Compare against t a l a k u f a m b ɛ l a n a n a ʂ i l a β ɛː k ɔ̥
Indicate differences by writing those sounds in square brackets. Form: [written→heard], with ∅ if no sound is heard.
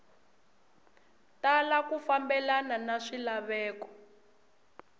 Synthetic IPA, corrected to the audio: t a l a k u f a m b ɛ l a n a n a ʂ i l a β ɛː k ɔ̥